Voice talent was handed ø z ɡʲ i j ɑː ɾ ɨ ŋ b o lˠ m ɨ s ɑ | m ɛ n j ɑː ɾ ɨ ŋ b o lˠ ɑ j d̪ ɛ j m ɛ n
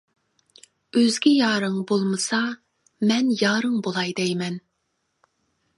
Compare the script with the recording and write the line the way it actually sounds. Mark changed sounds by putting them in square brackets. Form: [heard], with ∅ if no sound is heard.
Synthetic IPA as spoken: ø z ɡʲ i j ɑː ɾ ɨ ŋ b o lˠ m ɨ s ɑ | m ɛ n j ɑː ɾ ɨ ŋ b o lˠ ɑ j d̪ ɛ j m ɛ n